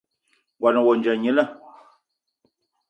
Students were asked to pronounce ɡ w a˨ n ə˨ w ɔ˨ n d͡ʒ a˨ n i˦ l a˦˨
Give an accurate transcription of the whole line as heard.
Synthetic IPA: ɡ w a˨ n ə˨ w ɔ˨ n d͡ʒ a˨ ɲ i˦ l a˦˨